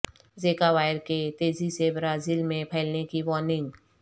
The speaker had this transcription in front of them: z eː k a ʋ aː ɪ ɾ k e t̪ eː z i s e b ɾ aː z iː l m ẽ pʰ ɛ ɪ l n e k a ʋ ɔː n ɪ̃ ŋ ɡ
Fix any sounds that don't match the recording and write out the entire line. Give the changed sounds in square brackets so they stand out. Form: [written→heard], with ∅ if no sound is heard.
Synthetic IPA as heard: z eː k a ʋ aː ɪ ɾ k e t̪ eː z i s e b ɾ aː z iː l m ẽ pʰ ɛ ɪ l n e k [a→i] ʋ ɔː n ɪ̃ ŋ ɡ